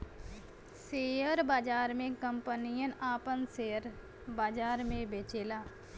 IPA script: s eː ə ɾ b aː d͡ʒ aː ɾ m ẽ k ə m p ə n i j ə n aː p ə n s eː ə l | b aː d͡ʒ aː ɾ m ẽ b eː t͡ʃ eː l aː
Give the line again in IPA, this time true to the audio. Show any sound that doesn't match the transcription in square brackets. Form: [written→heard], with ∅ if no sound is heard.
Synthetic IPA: s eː ə ɾ b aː d͡ʒ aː ɾ m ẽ k ə m p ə n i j ə n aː p ə n s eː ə [l→ɾ] | b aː d͡ʒ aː ɾ m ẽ b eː t͡ʃ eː l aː